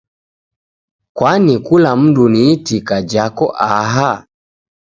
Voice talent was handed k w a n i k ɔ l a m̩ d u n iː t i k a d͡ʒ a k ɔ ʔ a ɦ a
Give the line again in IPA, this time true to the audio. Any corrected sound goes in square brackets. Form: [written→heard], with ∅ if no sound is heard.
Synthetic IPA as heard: k w a n i k [ɔ→u] l a m̩ d u n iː t i k a d͡ʒ a k ɔ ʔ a ɦ a